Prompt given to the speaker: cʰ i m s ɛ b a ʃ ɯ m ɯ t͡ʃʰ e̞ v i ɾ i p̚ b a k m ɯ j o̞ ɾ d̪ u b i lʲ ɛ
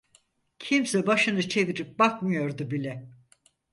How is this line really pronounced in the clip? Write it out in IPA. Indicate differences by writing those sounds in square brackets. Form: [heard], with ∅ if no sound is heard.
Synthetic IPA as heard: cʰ i m s ɛ b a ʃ ɯ [n] ɯ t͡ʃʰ e̞ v i ɾ i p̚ b a k m ɯ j o̞ ɾ d̪ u b i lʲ ɛ